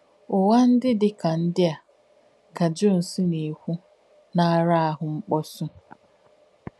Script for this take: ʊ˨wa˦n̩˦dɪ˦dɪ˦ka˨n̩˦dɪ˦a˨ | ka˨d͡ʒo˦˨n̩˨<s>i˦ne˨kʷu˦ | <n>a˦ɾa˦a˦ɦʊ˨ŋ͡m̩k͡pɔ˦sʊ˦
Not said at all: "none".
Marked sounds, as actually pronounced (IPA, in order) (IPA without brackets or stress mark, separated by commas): s, n